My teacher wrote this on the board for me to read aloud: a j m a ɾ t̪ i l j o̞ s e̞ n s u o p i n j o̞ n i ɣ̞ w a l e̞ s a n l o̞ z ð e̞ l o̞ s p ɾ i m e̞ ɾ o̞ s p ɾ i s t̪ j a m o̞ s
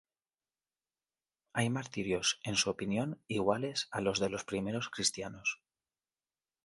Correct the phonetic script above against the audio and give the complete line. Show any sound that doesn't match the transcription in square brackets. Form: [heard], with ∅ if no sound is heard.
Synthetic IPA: a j m a ɾ t̪ i [ɾ] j o̞ s e̞ n s u o p i n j o̞ n i ɣ̞ w a l e̞ s a [∅] l o̞ z ð e̞ l o̞ s p ɾ i m e̞ ɾ o̞ s [k] ɾ i s t̪ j a [n] o̞ s